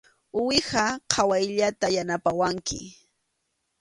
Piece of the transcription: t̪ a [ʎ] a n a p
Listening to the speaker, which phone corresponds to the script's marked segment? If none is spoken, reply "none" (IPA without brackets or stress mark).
j